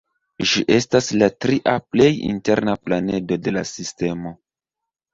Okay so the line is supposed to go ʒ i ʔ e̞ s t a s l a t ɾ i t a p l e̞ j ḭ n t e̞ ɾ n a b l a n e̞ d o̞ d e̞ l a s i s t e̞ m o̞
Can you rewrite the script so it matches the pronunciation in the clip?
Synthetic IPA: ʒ i ʔ e̞ s t a s l a t ɾ i ʔ a p l e̞ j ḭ n t e̞ ɾ n a p l a n e̞ d o̞ d e̞ l a s i s t e̞ m o̞